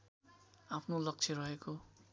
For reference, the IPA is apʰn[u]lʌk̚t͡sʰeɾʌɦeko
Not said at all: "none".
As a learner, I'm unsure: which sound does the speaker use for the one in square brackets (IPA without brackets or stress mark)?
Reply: o